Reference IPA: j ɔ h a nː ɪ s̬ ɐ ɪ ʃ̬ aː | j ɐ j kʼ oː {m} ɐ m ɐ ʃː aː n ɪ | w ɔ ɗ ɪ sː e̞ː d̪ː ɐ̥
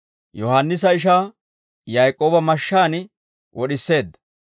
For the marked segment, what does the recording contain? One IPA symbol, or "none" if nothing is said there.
b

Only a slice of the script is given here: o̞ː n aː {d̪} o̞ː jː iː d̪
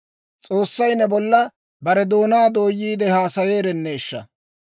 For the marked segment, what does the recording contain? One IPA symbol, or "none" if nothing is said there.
d̪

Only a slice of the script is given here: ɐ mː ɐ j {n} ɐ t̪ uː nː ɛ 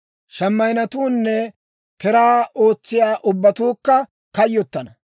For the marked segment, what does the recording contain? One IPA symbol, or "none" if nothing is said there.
n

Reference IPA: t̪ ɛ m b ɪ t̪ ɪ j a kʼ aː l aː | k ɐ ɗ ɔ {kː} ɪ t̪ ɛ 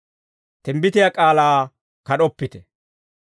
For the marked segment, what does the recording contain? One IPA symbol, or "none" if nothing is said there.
pː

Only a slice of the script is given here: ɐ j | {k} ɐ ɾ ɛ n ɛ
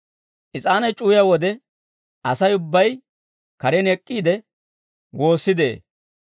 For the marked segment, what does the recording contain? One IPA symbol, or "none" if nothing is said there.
k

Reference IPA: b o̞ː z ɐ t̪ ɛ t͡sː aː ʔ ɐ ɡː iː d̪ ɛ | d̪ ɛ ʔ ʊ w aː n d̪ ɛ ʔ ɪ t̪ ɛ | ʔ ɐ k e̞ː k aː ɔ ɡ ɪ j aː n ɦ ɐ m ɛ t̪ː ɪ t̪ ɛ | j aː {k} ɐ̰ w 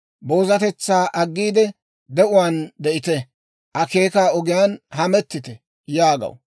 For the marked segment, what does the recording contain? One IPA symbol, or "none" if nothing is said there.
ɡ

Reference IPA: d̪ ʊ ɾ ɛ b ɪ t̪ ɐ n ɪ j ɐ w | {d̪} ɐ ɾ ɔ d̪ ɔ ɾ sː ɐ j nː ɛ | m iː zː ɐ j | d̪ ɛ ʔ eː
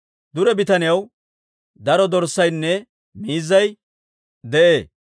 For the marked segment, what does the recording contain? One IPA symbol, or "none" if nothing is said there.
d̪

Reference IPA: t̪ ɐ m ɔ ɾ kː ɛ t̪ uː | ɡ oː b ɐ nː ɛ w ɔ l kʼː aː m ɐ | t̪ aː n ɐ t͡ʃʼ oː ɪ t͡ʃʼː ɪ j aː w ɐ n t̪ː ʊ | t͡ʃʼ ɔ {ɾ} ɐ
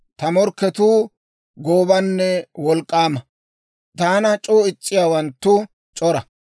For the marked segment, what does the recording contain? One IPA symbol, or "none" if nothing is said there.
ɾ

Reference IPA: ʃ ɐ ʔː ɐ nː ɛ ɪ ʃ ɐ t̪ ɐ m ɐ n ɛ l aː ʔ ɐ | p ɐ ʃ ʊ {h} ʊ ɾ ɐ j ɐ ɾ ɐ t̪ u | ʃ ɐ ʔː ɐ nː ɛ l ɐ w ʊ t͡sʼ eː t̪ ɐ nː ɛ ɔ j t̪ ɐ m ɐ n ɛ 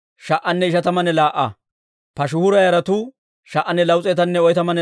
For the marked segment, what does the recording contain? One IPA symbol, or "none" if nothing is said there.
h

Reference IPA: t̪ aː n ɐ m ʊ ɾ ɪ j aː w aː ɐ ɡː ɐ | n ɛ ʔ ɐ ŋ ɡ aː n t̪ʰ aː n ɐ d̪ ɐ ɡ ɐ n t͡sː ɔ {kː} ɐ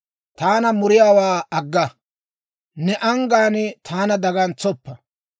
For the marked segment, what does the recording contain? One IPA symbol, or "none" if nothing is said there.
pː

